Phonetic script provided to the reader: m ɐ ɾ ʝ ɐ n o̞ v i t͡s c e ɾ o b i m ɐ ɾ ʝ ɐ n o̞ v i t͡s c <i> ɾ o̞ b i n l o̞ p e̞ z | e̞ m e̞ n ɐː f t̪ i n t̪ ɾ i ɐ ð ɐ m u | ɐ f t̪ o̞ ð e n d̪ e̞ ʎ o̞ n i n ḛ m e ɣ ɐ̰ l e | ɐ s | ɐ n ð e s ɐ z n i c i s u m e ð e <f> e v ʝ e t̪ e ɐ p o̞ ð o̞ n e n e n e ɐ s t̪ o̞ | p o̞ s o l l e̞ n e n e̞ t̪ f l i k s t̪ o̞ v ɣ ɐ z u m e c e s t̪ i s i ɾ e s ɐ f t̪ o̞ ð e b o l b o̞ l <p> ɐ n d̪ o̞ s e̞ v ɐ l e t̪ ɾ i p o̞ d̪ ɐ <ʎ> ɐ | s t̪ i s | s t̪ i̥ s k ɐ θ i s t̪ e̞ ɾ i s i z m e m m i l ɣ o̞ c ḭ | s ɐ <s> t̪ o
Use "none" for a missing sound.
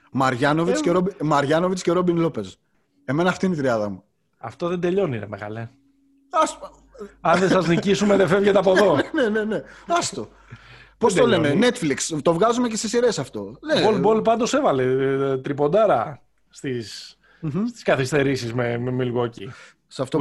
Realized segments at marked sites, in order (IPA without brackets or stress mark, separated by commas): e, f, p, ɾ, f